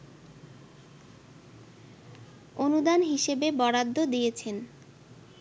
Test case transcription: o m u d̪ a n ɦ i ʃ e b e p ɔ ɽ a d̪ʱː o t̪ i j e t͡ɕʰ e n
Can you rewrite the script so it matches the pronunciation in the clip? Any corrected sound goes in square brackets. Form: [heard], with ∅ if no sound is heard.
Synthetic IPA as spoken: o [n] u d̪ a n ɦ i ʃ e b e [b] ɔ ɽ a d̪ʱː o [d̪] i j e t͡ɕʰ e n